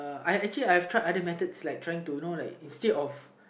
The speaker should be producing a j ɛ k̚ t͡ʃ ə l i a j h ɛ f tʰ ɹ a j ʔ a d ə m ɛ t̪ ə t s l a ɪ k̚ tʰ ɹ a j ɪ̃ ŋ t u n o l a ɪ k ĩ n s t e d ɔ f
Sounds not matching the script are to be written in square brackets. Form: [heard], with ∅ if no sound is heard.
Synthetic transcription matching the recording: a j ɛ k̚ t͡ʃ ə l i a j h ɛ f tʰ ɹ a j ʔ a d ə m ɛ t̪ ə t s l a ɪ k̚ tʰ ɹ a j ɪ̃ ŋ t u n o l a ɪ k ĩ n s t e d ɔ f